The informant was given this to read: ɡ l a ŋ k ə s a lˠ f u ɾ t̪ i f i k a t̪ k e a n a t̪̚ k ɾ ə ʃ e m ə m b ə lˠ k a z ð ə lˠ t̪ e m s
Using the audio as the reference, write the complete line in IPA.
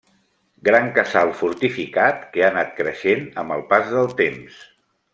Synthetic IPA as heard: ɡ ɾ a ŋ k ə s a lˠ f u ɾ t̪ i f i k a t̪ k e a n a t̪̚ k ɾ ə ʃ e n ə m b ə lˠ p a z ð ə lˠ t̪ e m s